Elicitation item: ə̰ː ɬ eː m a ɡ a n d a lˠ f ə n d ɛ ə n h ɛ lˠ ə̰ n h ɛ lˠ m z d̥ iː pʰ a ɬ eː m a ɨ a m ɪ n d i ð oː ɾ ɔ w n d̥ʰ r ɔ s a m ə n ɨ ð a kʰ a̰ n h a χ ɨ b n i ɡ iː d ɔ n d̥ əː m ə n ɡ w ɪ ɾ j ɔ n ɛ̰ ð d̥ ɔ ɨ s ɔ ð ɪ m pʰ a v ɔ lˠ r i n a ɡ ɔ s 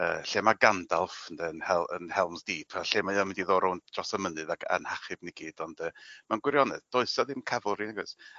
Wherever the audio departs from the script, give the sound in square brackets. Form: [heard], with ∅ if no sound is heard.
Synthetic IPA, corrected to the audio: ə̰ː ɬ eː m a ɡ a n d a lˠ f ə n d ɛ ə n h ɛ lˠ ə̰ n h ɛ lˠ m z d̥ iː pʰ a ɬ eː m a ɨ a m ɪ n d i ð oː ɾ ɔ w n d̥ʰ r ɔ s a m ə n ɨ ð a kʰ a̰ n h a χ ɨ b n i ɡ iː d ɔ n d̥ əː m [a] n ɡ w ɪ ɾ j ɔ n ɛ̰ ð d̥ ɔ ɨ s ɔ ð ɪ m [kʰ] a v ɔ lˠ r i n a ɡ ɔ s

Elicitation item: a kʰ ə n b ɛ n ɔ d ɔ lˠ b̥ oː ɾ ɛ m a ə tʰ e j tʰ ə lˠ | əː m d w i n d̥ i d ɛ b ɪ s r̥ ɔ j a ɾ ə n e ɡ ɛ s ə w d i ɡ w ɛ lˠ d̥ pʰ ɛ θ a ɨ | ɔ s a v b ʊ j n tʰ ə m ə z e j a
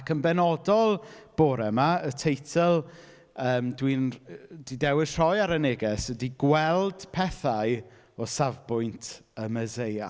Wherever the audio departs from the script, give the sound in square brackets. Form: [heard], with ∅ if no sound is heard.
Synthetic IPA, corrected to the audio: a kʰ ə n b ɛ n ɔ d ɔ lˠ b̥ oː ɾ ɛ m a ə tʰ e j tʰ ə lˠ | əː m d w i n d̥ i d ɛ [w] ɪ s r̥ ɔ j a ɾ ə n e ɡ ɛ s ə [∅] d i ɡ w ɛ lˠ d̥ pʰ ɛ θ a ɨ | ɔ s a v b ʊ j n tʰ ə m ə z e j a

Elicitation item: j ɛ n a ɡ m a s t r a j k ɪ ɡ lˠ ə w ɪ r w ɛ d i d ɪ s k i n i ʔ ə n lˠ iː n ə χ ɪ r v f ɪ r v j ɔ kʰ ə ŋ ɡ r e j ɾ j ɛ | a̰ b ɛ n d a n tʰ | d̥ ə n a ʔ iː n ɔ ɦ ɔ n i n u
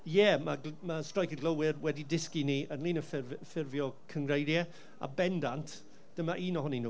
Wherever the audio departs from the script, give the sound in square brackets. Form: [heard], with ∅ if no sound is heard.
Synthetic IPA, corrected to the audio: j ɛ [m] a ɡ m a s t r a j k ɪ ɡ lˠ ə w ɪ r w ɛ d i d ɪ s k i n i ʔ ə n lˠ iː n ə [f] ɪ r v f ɪ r v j ɔ kʰ ə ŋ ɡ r e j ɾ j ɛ | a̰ b ɛ n d a n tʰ | d̥ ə [m] a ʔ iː n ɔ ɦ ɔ n i n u

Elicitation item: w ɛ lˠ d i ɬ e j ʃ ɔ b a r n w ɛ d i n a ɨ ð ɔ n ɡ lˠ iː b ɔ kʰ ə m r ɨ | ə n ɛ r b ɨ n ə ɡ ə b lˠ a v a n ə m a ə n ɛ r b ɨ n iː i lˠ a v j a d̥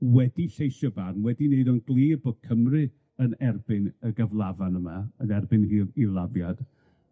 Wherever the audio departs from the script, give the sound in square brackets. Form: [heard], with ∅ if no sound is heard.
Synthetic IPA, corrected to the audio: w ɛ [∅] d i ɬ e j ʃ ɔ b a r n w ɛ d i n [e] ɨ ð ɔ n ɡ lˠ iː b ɔ kʰ ə m r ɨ | ə n ɛ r b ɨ n ə ɡ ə [v] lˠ a v a n ə m a ə n ɛ r b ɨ n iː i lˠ a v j a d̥

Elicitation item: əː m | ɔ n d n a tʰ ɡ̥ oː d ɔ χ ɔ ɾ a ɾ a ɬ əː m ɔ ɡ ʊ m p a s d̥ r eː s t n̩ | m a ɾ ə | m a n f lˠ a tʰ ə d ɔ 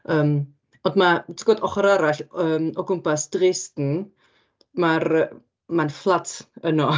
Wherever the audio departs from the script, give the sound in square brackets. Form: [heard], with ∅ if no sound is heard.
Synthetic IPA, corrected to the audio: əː m | ɔ n d [m] a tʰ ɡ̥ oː d ɔ χ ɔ ɾ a ɾ a ɬ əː m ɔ ɡ ʊ m p a s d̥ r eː s t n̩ | m a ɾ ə | m a n f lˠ a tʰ ə [n] ɔ

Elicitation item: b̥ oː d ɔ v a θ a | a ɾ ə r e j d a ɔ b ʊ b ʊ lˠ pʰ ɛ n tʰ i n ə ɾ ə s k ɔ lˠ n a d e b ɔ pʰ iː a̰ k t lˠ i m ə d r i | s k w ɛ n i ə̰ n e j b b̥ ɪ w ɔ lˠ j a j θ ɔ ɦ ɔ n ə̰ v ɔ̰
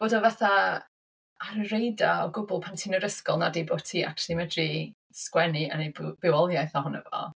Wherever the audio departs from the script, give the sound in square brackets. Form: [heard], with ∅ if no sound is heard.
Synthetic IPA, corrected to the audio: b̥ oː d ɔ v a θ a | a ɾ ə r e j d a ɔ [ɡ] ʊ b ʊ lˠ pʰ [a] n tʰ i n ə ɾ ə s k ɔ lˠ n a d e b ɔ [tʰ] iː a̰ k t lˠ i m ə d r i | s k w ɛ n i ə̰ n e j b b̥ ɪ w ɔ lˠ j a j θ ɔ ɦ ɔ n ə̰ v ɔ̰

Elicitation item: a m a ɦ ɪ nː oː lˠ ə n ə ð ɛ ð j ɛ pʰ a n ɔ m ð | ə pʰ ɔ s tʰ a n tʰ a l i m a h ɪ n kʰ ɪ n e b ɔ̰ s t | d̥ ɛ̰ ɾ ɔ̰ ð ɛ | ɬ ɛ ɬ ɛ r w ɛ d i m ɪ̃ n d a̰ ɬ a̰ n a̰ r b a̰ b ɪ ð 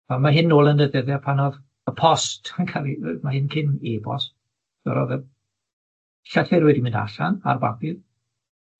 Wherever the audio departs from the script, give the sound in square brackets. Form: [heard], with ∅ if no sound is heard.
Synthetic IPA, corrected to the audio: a m a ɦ ɪ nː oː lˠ ə n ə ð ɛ ð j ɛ pʰ a n ɔ [∅] ð | ə pʰ ɔ s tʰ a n [kʰ] a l i m a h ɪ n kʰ ɪ n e b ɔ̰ s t | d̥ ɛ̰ ɾ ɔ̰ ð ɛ | ɬ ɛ ɬ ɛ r w ɛ d i m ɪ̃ n d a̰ ɬ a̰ n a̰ r b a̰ b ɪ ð

